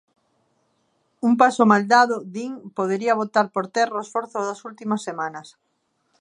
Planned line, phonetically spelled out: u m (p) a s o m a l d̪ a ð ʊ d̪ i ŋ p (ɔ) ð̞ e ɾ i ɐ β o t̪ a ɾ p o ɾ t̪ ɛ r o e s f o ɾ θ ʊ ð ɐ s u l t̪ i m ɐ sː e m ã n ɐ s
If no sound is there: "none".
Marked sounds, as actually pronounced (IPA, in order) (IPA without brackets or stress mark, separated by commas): p, o